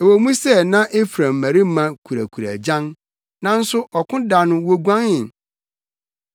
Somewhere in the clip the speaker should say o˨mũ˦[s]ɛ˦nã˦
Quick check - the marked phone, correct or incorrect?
correct